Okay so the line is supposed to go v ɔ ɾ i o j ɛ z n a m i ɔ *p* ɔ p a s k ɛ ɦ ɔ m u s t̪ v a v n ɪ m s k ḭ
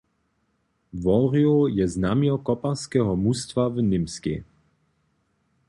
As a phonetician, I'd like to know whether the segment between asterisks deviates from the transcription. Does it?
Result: yes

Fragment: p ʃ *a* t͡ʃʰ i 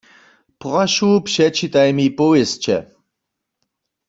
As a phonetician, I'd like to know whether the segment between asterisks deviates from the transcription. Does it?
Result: yes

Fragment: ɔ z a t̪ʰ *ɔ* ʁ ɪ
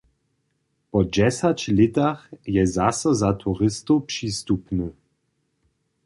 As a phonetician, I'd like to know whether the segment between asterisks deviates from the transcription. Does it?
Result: yes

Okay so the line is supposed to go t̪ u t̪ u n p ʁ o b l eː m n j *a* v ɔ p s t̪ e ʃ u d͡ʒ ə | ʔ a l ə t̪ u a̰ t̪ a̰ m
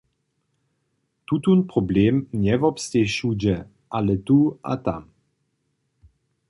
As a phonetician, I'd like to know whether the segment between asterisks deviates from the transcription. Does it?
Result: yes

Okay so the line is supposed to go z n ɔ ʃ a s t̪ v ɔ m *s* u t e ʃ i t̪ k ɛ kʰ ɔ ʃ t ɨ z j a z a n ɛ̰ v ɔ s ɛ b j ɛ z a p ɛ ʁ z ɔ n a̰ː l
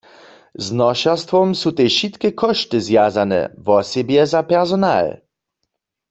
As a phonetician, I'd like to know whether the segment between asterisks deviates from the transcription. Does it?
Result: no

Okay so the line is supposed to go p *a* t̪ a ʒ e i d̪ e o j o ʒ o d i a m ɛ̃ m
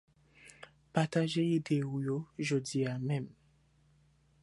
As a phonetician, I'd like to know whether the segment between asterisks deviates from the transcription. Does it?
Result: no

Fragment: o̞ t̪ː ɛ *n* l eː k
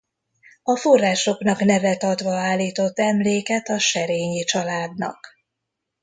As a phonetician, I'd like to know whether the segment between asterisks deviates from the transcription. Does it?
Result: yes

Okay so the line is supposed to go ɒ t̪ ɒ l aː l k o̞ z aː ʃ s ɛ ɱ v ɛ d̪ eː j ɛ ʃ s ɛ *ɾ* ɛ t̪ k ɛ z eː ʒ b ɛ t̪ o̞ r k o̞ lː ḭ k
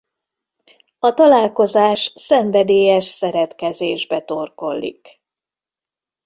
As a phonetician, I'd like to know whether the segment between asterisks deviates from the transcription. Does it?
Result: no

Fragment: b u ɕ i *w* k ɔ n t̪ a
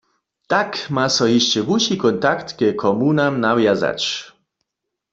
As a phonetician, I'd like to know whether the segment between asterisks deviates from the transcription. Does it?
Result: yes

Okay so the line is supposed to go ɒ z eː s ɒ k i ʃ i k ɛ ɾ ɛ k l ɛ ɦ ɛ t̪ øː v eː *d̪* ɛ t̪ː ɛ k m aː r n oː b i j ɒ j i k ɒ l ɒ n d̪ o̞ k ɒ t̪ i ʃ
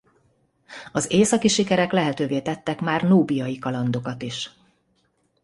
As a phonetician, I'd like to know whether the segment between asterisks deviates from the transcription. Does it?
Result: yes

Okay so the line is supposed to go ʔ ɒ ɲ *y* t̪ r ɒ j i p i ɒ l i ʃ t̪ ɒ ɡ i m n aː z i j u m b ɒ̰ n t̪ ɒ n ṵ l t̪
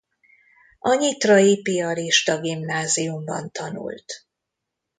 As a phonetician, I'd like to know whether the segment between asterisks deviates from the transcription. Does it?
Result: yes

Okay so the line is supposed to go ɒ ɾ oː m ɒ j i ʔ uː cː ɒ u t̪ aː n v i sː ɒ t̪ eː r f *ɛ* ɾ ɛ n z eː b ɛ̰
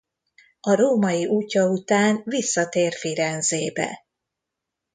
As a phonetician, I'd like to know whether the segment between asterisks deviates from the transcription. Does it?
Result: yes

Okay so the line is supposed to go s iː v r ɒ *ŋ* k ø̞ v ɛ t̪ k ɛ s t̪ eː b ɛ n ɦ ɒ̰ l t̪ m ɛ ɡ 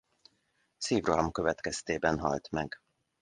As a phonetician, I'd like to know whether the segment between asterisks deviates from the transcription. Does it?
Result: yes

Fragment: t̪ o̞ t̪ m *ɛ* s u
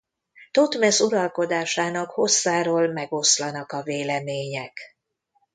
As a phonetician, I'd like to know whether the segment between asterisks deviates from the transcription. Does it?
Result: no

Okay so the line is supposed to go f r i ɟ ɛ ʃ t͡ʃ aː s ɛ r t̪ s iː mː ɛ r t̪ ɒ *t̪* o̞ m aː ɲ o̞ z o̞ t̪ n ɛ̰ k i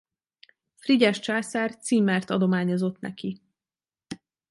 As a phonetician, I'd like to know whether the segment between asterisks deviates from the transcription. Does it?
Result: yes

